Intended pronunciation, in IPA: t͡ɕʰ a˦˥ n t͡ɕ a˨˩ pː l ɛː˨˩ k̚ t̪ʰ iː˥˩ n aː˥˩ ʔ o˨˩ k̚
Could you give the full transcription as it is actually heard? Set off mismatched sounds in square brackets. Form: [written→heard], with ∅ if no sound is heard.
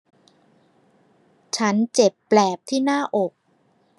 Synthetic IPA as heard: t͡ɕʰ a˦˥ n t͡ɕ [a˨˩→e˨˩] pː l ɛː˨˩ [k̚→p̚] t̪ʰ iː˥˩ n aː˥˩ ʔ o˨˩ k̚